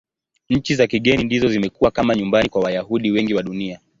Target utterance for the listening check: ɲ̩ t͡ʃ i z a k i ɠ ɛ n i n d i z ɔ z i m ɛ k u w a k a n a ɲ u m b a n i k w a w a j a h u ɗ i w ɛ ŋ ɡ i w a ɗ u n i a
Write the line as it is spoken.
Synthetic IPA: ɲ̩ t͡ʃ i z a k i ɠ ɛ n i n d i z ɔ z i m ɛ k u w a k a m a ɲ u m b a n i k w a w a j a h u ɗ i w ɛ ŋ ɡ i w a ɗ u n i a